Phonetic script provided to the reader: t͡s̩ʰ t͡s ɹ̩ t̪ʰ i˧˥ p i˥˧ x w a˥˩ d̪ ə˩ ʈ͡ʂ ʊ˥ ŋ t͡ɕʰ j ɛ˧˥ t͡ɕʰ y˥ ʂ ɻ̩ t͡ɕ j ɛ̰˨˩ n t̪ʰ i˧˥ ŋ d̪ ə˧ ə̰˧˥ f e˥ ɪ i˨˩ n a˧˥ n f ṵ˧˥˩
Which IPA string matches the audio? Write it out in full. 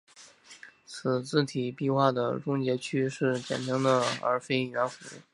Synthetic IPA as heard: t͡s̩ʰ t͡s ɹ̩ t̪ʰ i˨˩ p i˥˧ x w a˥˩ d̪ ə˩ ʈ͡ʂ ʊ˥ ŋ t͡ɕ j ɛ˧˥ t͡ɕʰ y˥ ʂ ɻ̩ t͡ɕ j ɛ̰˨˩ n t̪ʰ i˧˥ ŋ d̪ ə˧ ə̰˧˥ f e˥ ɪ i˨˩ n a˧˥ n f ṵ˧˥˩